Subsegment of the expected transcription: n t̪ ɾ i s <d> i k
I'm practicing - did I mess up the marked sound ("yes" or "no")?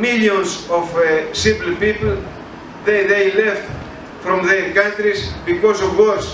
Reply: yes